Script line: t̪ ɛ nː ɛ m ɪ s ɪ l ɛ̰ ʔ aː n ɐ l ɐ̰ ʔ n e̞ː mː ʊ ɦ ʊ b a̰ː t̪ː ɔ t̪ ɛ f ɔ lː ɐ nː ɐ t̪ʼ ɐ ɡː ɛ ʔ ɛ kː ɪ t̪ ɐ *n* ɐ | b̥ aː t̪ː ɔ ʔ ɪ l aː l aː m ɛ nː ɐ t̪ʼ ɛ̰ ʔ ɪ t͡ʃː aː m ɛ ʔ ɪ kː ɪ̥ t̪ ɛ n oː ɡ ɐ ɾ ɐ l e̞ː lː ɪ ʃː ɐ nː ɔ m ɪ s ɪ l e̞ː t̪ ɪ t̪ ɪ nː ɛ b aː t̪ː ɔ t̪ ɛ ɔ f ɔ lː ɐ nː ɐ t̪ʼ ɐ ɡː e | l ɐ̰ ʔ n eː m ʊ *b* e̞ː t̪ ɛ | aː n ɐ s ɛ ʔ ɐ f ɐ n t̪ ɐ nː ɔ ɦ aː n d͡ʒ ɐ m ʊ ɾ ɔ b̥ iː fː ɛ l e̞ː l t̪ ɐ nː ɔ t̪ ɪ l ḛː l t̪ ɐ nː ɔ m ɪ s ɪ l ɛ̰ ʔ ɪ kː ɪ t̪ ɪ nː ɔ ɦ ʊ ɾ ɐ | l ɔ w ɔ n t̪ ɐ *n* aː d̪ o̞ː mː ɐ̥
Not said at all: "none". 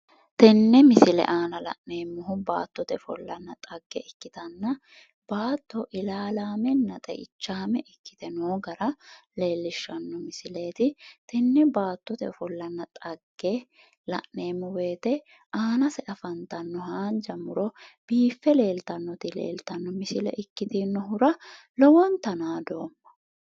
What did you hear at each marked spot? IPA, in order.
nː, w, n

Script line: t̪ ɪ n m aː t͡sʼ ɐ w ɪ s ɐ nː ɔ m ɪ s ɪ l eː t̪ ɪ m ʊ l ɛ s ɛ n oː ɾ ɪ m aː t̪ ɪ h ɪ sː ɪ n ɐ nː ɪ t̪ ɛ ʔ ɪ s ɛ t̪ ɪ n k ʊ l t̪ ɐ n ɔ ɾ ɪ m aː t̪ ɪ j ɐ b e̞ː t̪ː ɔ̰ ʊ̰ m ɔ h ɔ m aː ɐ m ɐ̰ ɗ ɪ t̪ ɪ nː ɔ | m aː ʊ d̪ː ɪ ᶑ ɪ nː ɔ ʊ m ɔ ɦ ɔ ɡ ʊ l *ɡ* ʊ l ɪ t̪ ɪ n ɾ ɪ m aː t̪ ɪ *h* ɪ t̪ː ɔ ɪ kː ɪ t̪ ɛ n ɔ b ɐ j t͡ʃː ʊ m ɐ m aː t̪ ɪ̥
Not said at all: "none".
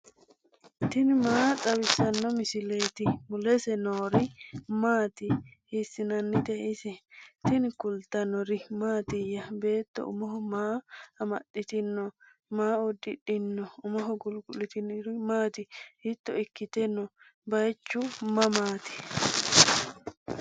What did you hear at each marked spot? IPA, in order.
ɡ, h

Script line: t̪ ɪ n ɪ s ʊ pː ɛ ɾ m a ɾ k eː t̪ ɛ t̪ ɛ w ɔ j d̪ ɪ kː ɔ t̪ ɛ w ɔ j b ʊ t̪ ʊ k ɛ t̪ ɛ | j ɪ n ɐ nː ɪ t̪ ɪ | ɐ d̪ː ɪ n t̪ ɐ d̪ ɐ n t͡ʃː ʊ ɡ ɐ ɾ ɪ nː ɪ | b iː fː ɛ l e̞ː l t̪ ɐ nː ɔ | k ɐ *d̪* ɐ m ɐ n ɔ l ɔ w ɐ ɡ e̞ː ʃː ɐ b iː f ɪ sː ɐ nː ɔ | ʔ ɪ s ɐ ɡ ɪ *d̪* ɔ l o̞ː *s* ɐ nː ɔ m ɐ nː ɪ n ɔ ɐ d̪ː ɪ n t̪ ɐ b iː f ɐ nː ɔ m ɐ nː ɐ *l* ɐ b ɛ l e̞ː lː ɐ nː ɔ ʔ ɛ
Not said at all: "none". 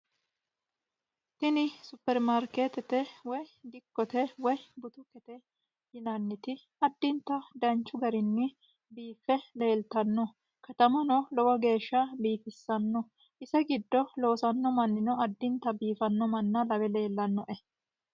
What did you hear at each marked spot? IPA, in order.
t̪, d̪ː, s, l

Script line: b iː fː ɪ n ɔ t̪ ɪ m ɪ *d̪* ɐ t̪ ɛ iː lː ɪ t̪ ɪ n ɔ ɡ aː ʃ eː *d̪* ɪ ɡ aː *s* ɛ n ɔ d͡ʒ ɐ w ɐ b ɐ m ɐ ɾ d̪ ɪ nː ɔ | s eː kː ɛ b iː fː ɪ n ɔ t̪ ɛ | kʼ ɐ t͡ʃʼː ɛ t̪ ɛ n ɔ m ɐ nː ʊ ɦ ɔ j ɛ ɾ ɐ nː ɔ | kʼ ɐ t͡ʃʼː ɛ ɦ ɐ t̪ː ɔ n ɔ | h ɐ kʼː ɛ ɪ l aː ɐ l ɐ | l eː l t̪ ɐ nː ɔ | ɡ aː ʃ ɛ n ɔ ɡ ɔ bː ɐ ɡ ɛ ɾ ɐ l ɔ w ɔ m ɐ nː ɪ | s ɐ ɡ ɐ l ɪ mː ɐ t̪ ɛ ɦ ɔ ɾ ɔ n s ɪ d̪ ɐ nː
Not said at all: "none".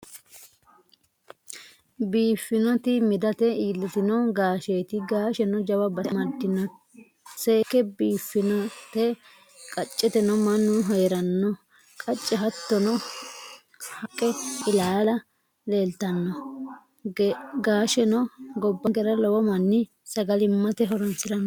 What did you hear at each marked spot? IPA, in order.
d̪, t̪, ʃ

